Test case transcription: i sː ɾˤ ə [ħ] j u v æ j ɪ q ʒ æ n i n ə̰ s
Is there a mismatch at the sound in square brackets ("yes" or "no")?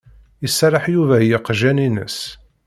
no